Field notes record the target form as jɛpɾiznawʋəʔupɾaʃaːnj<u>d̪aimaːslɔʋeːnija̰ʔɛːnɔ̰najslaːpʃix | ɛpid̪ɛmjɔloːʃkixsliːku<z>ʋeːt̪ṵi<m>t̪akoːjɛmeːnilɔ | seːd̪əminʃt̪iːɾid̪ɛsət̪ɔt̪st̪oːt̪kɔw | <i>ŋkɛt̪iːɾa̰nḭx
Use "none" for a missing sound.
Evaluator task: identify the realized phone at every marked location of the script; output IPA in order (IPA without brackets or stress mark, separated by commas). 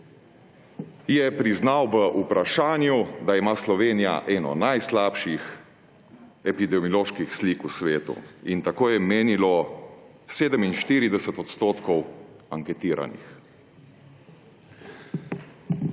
u, s, n, a